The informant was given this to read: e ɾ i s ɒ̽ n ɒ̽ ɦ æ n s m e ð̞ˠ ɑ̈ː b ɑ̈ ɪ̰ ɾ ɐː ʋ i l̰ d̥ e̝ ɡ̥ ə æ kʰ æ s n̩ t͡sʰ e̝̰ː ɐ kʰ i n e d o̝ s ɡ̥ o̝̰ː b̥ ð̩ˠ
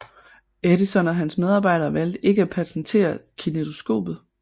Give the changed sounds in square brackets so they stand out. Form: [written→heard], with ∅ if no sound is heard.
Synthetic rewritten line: e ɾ i s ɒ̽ n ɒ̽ ɦ æ n s m e ð̞ˠ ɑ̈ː b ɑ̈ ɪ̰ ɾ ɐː ʋ [i→æ] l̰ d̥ e̝ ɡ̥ ə æ [kʰ→pʰ] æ s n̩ t͡sʰ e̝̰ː ɐ kʰ i n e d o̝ s ɡ̥ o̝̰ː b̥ ð̩ˠ